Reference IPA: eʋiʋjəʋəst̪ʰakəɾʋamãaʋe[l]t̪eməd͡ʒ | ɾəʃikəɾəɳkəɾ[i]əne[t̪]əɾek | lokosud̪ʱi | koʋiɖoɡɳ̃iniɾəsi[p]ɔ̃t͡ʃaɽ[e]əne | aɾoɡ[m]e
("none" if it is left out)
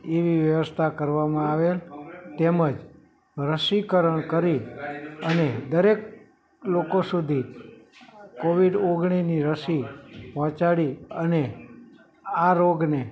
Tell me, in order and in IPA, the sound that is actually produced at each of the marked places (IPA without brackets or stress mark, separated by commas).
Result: l, i, d̪, p, i, n